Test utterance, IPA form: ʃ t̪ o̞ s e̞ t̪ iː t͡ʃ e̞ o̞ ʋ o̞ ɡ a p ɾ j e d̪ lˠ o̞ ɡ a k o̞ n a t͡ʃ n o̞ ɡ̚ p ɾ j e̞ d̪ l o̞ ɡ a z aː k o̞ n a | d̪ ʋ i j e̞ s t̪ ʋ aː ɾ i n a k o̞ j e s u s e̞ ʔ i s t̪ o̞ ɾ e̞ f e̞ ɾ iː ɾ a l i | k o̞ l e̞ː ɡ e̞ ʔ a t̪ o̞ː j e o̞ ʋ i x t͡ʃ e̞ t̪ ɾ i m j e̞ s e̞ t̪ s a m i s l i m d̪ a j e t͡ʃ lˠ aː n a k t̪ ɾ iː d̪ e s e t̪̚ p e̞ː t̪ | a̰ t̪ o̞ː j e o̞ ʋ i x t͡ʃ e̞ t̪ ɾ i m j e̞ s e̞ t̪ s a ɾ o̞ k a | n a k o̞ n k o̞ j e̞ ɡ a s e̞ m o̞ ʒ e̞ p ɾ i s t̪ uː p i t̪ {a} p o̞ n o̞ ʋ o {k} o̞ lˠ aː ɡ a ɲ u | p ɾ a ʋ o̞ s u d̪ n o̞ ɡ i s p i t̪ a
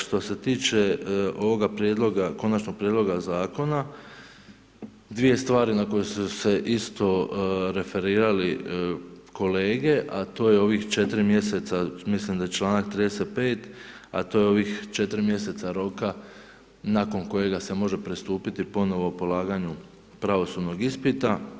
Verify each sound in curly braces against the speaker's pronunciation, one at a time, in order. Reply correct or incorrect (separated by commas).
incorrect, incorrect